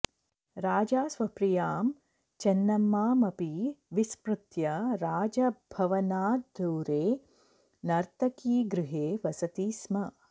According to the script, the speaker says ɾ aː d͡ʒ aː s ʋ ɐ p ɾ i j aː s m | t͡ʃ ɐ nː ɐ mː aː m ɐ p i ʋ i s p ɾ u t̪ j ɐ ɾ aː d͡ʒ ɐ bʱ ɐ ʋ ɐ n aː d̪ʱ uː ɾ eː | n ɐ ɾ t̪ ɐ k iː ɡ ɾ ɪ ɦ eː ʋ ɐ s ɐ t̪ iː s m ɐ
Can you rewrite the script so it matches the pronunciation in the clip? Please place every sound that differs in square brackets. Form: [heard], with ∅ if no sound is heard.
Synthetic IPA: ɾ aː d͡ʒ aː s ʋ ɐ p ɾ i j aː [∅] m | t͡ʃ ɐ nː ɐ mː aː m ɐ p i ʋ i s p ɾ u t̪ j ɐ ɾ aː d͡ʒ ɐ bʱ ɐ ʋ ɐ n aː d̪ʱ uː ɾ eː | n ɐ ɾ t̪ ɐ k iː ɡ ɾ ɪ ɦ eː ʋ ɐ s ɐ t̪ iː s m ɐ